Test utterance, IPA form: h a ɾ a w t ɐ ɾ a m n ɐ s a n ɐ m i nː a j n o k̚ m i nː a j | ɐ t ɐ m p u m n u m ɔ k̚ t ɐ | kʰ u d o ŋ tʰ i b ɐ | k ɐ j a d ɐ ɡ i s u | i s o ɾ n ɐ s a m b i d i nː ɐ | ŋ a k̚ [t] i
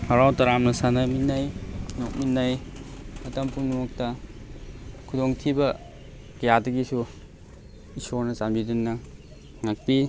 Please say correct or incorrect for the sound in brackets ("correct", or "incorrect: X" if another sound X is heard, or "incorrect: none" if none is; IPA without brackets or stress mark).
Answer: incorrect: p